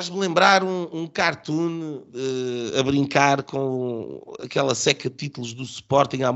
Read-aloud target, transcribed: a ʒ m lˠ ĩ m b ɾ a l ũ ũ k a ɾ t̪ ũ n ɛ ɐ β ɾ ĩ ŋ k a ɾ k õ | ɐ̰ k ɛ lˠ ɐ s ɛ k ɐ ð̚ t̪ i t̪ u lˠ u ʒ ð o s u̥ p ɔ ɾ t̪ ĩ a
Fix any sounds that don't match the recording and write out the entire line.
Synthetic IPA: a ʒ m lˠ ẽ m b ɾ a ɾ ũ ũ k a ɾ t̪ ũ n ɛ ɐ β ɾ ĩ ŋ k a ɾ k õ | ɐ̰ k ɛ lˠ ɐ s ɛ k ɐ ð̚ t̪ i t̪ u lˠ u ʒ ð u s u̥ p ɔ ɾ t̪ ĩ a